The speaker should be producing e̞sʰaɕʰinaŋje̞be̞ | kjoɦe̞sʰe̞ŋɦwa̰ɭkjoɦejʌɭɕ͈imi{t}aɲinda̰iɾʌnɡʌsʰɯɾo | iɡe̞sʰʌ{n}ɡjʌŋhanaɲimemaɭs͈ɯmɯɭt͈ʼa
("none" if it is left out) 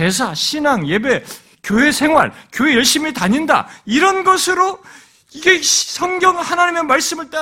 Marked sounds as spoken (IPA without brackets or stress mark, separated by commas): t, ŋ